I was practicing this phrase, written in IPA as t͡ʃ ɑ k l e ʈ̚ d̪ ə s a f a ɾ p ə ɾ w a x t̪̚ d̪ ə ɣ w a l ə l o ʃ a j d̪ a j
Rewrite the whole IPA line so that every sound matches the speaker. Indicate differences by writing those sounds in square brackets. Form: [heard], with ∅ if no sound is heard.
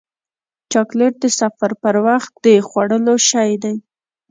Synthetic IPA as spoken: t͡ʃ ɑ k l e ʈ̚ d̪ ə s a f a ɾ p ə ɾ w a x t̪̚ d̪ ə [x] w a [ɽ] ə l o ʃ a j d̪ a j